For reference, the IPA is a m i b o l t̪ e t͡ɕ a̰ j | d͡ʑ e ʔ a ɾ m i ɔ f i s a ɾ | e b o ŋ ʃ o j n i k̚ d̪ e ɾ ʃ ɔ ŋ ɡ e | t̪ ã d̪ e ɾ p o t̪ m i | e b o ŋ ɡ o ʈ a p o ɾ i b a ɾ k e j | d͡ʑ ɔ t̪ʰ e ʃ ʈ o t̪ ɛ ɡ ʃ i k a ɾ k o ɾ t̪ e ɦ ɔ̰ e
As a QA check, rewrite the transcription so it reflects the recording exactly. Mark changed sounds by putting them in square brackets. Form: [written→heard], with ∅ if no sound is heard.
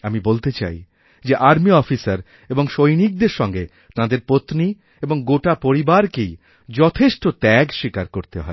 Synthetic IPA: a m i b o l t̪ e t͡ɕ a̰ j | d͡ʑ e ʔ a ɾ m i ɔ f i s a ɾ | e b o ŋ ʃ o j n i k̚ d̪ e ɾ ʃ ɔ ŋ ɡ e | t̪ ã d̪ e ɾ p o t̪ [m→n] i | e b o ŋ ɡ o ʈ a p o ɾ i b a ɾ k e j | d͡ʑ ɔ t̪ʰ e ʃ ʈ o t̪ ɛ ɡ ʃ i k a ɾ k o ɾ t̪ e ɦ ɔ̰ e